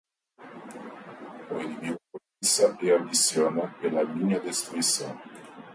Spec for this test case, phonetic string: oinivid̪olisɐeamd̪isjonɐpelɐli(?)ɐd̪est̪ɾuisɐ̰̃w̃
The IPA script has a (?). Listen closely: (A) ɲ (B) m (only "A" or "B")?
A